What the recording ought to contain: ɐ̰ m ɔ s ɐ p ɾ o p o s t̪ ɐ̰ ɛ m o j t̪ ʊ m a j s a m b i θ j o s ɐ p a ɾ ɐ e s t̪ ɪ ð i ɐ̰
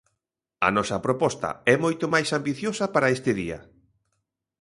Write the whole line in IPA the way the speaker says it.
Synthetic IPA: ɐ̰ n ɔ s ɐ p ɾ o p ɔ s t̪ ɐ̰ ɛ m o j t̪ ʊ m a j s a m b i θ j o s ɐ p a ɾ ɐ e s t̪ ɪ ð i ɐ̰

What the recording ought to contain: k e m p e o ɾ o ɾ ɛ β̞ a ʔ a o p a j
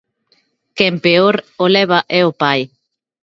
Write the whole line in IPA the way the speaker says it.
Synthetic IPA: k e m p e o ɾ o l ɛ β̞ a ʔ ɛ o p a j

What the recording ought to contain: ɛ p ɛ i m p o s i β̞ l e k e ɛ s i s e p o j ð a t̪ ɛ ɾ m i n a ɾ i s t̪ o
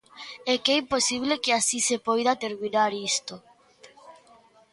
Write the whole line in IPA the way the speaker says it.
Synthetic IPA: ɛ k ɛ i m p o s i β̞ l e k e a s i s e p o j ð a t̪ e ɾ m i n a ɾ i s t̪ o

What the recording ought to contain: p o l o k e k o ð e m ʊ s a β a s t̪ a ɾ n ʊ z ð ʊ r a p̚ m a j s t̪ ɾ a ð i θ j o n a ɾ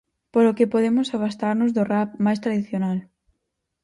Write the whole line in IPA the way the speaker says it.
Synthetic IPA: p o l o k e p o ð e m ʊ s a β a s t̪ a ɾ n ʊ z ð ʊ r a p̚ m a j s t̪ ɾ a ð i θ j o n a l

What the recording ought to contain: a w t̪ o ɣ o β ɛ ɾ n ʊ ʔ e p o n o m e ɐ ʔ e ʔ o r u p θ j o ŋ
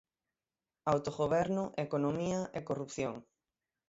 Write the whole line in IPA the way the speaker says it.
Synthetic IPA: a w t̪ o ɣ o β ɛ ɾ n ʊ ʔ e k o n o m i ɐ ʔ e k o r u p θ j o ŋ

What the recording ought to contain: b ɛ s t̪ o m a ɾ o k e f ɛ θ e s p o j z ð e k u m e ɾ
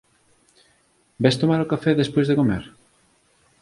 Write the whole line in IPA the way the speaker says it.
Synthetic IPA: b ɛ s t̪ o m a ɾ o k a f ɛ ð e s p o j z ð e k o m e ɾ

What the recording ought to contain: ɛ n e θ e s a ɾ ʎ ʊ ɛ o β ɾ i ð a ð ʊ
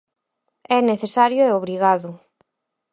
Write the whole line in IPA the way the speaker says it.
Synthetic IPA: ɛ n e θ e s a ɾ j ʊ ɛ o β ɾ i ɣ a ð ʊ

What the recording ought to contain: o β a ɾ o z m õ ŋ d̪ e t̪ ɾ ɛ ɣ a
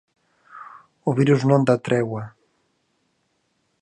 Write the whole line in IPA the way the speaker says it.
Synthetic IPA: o β i ɾ u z n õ n d̪ a t̪ ɾ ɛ w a

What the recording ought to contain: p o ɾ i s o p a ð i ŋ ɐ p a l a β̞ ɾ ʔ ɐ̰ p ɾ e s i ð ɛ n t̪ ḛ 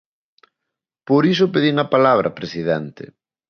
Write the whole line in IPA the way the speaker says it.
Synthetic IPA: p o ɾ i s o p e ð i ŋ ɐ p a l a β̞ ɾ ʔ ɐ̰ p ɾ e s i ð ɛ n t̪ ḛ

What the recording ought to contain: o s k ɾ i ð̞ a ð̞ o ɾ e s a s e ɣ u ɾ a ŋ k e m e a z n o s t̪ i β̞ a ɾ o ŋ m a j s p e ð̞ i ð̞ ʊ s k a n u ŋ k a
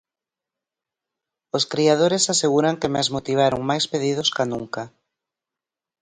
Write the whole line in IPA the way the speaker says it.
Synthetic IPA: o s k ɾ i a ð̞ o ɾ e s a s e ɣ u ɾ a ŋ k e m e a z m o t̪ i β̞ a ɾ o ŋ m a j s p e ð̞ i ð̞ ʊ s k a n u ŋ k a

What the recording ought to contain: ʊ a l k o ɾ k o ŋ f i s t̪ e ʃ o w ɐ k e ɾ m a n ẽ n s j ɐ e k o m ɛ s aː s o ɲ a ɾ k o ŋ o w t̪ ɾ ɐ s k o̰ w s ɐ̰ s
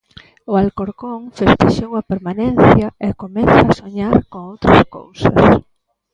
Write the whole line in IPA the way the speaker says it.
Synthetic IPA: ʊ a l k o ɾ k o ŋ f e s t̪ e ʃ o w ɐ p e ɾ m a n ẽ n θ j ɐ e k o m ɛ θ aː s o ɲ a ɾ k o ŋ o w t̪ ɾ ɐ s k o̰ w s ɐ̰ s

